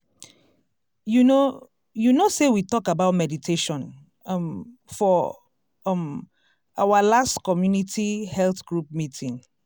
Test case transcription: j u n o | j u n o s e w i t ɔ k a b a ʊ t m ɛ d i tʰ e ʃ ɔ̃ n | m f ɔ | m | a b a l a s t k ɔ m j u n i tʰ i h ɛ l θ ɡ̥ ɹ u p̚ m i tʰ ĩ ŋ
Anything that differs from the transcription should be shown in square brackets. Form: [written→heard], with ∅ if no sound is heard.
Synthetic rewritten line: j u n o | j u n o s e w i t ɔ k a b a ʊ t m ɛ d i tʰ e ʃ ɔ̃ n | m f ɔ | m | a [b→w] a l a s t k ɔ m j u n i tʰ i h ɛ l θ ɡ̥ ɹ u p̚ m i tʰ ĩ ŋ